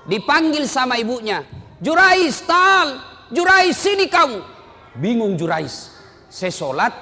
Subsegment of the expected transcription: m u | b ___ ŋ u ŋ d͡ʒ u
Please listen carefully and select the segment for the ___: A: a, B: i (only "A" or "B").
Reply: B